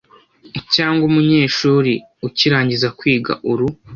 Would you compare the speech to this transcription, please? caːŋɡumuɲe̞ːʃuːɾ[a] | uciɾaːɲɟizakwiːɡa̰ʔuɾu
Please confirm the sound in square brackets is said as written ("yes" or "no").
no